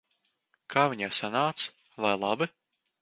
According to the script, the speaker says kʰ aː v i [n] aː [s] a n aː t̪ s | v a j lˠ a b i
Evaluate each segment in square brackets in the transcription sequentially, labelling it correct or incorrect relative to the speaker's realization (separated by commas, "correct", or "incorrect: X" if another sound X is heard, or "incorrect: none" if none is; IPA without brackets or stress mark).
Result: incorrect: ɲ, correct